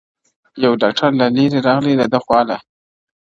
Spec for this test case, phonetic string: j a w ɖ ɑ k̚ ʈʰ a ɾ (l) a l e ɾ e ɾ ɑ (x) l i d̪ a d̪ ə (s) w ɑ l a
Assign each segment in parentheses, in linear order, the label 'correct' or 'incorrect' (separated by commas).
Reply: correct, incorrect, incorrect